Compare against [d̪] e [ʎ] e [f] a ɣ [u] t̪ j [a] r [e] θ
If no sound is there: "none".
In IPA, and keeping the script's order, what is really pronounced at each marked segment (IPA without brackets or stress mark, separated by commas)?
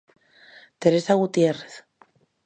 t̪, ɾ, s, u, e, e